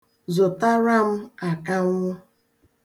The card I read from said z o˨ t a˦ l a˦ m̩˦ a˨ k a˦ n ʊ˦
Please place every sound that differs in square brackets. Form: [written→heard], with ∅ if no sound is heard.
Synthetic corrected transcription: z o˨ t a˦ [l→ɾ] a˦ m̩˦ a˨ k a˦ [n→ŋ] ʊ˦